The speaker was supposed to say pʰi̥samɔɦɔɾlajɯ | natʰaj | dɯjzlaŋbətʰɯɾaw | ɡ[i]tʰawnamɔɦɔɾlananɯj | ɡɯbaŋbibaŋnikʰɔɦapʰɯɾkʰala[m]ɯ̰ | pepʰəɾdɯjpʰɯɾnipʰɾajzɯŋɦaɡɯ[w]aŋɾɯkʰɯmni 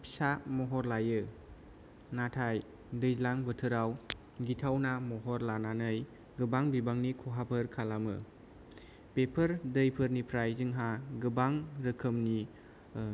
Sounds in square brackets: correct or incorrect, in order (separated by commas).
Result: correct, correct, incorrect